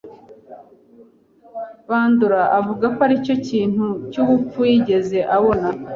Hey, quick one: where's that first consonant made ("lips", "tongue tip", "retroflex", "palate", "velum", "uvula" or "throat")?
lips